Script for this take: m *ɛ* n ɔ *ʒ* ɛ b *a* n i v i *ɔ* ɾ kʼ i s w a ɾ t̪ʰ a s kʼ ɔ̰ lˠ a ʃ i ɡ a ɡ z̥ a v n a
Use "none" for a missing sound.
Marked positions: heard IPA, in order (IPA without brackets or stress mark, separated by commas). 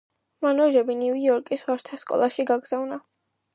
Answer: a, ʒ, i, ɔ